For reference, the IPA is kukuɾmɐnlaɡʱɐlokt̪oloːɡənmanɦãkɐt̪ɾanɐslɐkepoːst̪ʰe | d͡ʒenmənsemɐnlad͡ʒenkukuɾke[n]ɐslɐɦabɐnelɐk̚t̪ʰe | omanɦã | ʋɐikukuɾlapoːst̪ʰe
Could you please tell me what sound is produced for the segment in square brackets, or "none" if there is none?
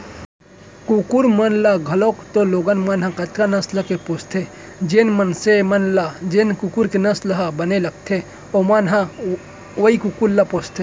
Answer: n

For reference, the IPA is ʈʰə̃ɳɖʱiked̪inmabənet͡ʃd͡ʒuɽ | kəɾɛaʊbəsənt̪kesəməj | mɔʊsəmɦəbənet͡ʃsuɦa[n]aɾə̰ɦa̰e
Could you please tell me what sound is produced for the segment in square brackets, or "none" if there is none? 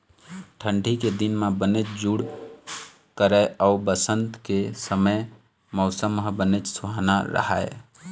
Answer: n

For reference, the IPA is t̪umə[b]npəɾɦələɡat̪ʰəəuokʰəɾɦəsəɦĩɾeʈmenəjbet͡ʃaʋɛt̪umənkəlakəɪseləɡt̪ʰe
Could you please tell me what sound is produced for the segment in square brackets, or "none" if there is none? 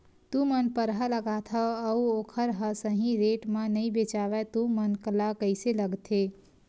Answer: none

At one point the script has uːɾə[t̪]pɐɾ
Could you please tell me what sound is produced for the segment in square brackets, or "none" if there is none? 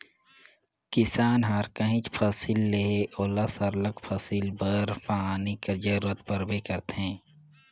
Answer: t̪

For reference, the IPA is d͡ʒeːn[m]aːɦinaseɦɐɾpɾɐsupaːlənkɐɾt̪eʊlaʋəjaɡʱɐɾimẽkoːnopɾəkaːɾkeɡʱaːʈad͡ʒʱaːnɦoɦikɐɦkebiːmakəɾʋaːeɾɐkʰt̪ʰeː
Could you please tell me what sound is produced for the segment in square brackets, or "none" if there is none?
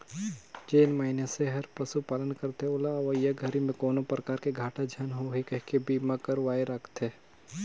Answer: m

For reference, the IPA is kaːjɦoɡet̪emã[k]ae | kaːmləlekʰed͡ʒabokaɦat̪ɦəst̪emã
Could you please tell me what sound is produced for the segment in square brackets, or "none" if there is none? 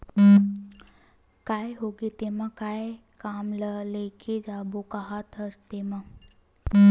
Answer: k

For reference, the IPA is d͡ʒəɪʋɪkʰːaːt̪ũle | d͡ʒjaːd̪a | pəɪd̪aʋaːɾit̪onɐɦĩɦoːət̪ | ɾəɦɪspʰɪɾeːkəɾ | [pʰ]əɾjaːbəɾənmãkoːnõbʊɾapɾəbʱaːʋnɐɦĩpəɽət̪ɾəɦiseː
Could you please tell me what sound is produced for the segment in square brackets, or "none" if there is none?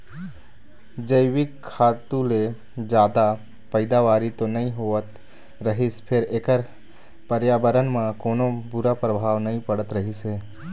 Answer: p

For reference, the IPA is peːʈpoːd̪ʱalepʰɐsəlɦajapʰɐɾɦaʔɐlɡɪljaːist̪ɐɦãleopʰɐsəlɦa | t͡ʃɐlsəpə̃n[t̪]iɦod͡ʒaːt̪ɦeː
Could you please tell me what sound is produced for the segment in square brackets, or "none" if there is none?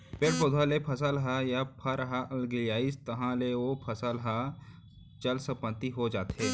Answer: t̪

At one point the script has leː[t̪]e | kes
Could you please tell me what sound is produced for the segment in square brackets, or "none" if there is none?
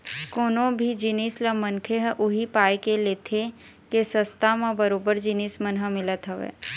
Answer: t̪ʰ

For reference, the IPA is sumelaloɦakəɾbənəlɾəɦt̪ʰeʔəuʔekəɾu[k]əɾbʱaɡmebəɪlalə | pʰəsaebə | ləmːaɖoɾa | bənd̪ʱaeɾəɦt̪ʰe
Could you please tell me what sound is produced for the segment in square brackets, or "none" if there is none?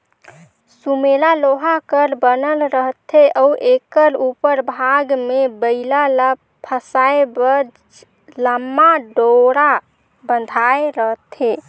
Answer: p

